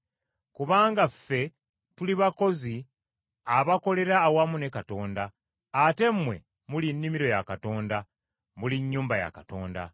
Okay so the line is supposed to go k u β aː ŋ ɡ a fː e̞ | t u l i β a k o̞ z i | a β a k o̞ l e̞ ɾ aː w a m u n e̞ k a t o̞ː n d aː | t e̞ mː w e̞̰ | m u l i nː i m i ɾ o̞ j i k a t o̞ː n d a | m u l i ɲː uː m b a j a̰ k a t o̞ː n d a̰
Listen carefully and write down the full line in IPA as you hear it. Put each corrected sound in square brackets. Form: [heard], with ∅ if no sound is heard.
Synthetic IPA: k u β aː ŋ ɡ a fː e̞ | t u l i β a k o̞ z i | a β a k o̞ l e̞ ɾ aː w a m u n e̞ k a t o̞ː n d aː | t e̞ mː w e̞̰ | m u l i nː i m i ɾ o̞ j [a] k a t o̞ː n d a | m u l i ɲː uː m b a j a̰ k a t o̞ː n d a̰